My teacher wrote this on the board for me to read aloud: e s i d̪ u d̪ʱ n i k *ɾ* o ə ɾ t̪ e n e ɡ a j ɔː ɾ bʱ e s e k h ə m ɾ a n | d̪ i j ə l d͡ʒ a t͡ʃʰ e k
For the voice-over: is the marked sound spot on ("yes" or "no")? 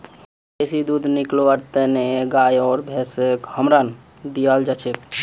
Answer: no